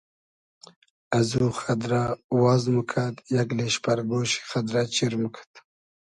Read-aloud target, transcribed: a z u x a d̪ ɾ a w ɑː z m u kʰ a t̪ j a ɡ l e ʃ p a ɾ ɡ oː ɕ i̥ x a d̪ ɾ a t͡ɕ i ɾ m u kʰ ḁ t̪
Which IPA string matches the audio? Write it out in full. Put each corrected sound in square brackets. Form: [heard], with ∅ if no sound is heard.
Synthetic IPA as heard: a z u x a d̪ ɾ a w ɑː z m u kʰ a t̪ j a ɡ l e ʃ p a ɾ ɡ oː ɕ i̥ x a d̪ ɾ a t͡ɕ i ɾ m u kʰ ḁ t̪